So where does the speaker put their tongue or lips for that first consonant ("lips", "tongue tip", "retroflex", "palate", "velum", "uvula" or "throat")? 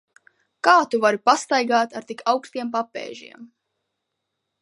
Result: velum